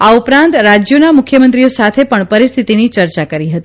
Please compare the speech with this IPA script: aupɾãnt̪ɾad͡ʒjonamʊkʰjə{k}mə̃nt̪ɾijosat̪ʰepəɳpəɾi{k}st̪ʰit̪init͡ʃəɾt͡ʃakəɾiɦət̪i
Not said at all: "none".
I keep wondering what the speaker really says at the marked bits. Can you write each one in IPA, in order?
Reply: none, none

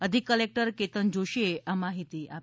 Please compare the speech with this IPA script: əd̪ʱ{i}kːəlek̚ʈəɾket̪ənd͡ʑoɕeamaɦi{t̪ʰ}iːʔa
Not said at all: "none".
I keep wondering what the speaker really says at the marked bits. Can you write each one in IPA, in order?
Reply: i, t̪

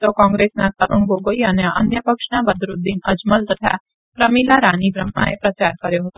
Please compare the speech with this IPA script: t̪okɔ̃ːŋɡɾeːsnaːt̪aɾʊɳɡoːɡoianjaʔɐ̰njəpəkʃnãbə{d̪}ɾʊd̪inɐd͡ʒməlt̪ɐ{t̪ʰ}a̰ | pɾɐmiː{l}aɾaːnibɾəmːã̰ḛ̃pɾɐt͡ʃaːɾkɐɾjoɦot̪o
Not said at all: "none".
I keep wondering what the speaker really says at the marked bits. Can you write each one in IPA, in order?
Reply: d̪, t̪ʰ, l

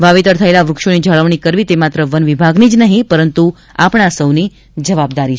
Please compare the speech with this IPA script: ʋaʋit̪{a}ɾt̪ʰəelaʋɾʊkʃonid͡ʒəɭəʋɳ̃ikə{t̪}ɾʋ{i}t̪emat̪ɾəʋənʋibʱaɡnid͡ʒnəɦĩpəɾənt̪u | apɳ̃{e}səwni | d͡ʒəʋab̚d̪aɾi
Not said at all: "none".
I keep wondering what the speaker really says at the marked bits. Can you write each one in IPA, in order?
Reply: ə, none, i, a

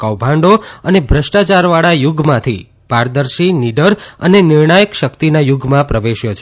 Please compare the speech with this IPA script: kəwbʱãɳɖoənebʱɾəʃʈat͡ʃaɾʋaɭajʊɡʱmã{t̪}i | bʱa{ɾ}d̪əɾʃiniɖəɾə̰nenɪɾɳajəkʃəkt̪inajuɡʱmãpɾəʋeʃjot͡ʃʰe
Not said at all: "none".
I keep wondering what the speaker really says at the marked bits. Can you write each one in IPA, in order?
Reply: t̪ʰ, ɾ

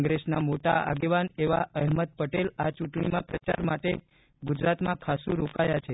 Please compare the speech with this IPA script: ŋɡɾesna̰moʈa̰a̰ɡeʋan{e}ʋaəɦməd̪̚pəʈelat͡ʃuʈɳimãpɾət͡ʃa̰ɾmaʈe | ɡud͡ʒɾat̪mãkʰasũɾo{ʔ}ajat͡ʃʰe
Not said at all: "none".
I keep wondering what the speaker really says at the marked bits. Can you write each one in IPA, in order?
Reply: e, k

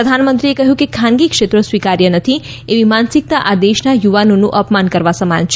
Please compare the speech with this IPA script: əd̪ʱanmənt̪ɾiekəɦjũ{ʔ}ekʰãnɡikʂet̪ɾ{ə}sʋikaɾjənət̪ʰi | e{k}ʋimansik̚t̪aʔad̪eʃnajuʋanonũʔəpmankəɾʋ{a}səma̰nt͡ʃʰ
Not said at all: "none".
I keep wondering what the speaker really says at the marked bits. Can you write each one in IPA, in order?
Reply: k, ə, none, a

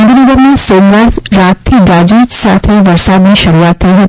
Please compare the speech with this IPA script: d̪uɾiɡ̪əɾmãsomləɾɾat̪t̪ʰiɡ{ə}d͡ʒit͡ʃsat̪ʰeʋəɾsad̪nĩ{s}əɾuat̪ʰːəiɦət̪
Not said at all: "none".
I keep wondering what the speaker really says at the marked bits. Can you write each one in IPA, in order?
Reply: a, ʃ

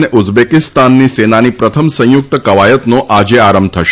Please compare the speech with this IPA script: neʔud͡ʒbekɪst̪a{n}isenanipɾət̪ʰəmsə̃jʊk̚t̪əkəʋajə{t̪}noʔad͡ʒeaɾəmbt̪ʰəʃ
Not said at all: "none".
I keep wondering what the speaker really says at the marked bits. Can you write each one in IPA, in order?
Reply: nː, t̪

